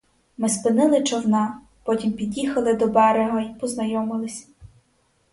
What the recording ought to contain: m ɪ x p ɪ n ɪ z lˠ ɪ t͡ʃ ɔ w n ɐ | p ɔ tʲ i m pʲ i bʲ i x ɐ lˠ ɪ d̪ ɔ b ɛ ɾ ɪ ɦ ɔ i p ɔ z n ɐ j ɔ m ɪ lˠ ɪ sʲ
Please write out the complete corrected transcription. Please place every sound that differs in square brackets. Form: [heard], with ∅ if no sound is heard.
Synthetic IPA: m ɪ [s] p ɪ n ɪ [∅] lˠ ɪ t͡ʃ ɔ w n [ɑ] | p ɔ tʲ i m pʲ i [dʲ] i x ɐ lˠ ɪ d̪ ɔ b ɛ ɾ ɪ ɦ ɔ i p ɔ z n ɐ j ɔ m ɪ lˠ ɪ sʲ